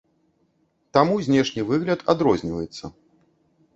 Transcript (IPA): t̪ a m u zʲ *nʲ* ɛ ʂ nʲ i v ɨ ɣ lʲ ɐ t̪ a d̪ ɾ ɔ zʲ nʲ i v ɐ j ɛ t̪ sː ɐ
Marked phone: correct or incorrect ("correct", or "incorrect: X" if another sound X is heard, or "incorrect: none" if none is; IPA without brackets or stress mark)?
correct